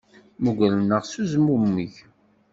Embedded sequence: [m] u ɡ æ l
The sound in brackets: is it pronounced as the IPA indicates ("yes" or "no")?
yes